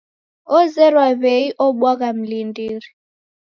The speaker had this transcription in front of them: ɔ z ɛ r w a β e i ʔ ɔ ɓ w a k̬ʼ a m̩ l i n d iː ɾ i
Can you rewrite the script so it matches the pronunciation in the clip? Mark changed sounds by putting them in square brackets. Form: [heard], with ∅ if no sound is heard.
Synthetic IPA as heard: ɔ z ɛ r w a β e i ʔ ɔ ɓ w a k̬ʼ a m̩ l i n d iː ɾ i